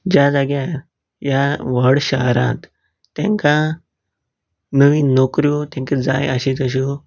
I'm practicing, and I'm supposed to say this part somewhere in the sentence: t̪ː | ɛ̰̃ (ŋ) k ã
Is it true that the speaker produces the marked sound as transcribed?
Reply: yes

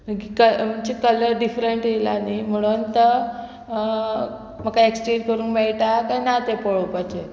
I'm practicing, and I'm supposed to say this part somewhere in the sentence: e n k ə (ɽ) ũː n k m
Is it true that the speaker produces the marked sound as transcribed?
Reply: no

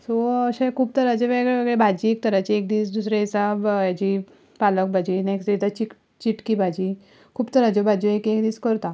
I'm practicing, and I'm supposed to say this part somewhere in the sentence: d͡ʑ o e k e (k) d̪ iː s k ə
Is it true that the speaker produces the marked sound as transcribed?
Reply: yes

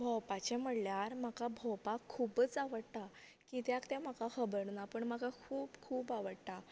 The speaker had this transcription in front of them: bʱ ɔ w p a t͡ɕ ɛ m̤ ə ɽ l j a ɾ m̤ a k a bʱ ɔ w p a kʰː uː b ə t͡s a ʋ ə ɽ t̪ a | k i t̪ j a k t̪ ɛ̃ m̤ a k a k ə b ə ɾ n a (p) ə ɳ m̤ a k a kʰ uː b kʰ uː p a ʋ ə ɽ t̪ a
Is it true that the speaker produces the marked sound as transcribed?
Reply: yes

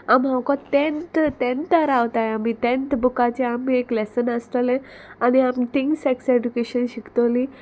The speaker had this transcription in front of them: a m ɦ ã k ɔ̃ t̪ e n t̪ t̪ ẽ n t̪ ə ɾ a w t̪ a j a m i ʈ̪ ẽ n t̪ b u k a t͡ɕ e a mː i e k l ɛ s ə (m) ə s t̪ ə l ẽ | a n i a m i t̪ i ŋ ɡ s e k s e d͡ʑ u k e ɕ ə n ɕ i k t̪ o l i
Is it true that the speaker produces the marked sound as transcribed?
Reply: no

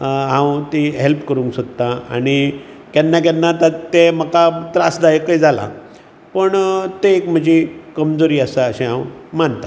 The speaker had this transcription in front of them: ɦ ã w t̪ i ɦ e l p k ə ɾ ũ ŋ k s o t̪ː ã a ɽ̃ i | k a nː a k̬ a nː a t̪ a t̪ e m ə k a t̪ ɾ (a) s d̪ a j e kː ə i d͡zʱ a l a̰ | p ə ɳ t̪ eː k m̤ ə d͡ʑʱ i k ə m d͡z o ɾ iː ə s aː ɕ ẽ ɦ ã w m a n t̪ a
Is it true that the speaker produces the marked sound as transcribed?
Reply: yes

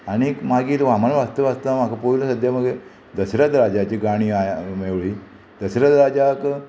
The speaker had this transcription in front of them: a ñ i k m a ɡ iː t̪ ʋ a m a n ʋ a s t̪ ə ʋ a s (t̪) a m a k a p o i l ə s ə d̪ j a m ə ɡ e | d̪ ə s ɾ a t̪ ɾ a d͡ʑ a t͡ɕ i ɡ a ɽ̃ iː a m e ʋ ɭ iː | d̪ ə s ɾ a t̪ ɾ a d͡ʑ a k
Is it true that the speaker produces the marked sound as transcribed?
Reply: yes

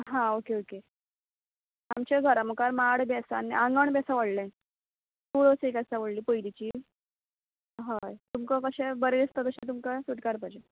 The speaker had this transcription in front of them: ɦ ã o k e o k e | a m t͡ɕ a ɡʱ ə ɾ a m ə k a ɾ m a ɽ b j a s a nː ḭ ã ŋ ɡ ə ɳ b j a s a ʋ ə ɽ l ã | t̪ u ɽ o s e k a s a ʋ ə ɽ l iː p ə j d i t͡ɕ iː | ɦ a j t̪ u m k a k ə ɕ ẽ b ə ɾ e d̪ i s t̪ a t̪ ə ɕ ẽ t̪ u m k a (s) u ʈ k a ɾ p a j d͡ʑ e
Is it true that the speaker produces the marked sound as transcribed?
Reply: yes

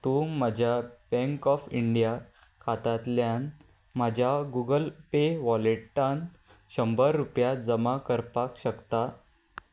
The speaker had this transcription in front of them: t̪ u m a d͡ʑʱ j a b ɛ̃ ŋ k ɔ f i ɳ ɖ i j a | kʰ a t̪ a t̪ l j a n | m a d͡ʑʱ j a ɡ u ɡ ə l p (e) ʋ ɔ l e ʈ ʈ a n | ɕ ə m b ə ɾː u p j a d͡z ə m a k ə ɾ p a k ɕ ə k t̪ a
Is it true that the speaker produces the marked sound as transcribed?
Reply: yes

